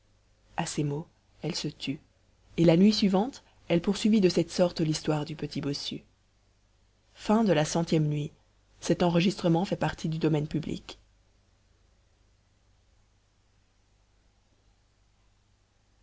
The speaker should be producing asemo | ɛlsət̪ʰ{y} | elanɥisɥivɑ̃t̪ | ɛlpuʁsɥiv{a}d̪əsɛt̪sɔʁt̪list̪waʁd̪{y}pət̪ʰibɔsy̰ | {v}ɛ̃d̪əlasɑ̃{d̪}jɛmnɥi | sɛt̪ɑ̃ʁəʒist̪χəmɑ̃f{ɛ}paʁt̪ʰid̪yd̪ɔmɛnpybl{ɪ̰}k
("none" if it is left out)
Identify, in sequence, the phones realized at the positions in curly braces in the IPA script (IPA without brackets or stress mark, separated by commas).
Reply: y, i, y, f, t̪, ɛ, ḭ